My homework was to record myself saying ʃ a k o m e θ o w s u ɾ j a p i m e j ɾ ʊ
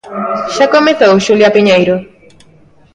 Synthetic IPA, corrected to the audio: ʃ a k o m e θ o w ʃ u l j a p i ɲ e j ɾ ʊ